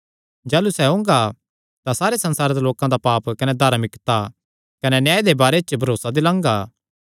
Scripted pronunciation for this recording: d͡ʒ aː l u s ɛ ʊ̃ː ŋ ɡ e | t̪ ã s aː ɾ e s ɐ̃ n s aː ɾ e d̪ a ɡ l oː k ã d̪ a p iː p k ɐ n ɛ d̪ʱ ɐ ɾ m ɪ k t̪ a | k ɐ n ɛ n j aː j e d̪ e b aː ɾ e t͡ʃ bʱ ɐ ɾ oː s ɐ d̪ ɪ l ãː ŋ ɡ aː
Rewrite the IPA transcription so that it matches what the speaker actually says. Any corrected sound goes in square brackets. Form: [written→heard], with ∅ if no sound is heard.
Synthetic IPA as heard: d͡ʒ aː l u s ɛ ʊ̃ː ŋ ɡ [e→a] | t̪ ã s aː ɾ e s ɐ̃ n s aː ɾ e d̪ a [ɡ→∅] l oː k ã d̪ a p [iː→aː] p k ɐ n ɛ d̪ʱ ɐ ɾ m ɪ k t̪ a | k ɐ n ɛ n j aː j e d̪ e b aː ɾ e t͡ʃ bʱ ɐ ɾ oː s [ɐ→a] d̪ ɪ l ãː ŋ ɡ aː